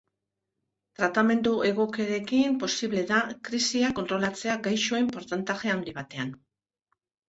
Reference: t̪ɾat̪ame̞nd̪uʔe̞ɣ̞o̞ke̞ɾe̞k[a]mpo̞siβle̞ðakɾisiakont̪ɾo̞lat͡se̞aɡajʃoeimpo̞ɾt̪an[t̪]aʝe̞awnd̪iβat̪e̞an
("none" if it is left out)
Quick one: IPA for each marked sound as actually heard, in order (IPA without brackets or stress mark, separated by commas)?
i, t̪